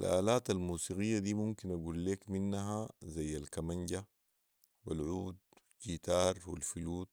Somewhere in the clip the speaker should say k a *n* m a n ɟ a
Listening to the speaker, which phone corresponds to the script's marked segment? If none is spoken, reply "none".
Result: none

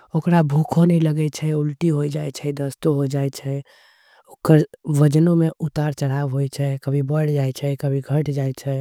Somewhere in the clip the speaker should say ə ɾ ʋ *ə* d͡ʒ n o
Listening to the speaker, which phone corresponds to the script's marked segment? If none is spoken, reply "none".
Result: ə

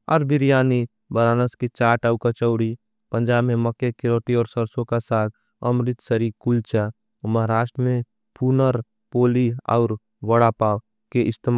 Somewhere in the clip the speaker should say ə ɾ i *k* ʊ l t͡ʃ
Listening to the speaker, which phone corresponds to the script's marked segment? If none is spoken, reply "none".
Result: k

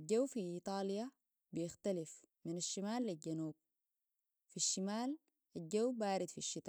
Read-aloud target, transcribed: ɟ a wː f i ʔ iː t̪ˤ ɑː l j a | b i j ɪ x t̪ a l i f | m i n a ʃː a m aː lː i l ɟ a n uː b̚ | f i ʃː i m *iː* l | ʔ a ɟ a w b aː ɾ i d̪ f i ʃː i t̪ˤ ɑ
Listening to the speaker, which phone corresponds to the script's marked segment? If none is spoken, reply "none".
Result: aː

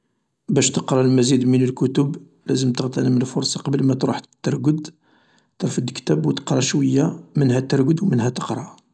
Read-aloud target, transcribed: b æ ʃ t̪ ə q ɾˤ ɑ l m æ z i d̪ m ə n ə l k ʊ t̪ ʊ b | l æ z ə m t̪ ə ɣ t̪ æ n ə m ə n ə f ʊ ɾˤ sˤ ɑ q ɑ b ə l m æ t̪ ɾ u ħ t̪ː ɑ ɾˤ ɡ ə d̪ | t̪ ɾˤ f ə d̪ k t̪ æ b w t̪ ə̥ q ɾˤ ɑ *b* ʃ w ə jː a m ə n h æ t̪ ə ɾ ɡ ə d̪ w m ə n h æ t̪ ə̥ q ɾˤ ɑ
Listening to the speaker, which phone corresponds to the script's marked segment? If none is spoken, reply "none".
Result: none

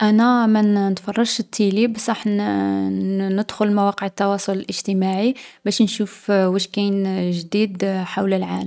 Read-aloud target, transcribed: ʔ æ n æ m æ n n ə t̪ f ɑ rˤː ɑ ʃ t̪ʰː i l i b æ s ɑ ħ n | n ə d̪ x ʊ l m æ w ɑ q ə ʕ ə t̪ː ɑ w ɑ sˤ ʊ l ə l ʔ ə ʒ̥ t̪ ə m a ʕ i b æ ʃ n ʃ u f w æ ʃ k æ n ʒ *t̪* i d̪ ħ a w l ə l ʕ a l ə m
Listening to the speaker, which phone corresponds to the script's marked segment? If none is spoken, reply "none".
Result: d̪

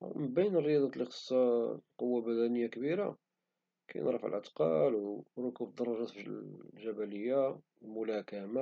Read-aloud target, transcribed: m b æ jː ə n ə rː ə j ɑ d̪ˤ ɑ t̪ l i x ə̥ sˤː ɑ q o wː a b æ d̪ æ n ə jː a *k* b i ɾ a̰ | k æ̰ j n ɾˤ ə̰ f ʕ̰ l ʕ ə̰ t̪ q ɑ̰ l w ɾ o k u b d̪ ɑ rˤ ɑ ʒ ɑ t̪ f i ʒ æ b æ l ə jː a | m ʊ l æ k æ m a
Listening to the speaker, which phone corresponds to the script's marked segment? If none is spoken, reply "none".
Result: k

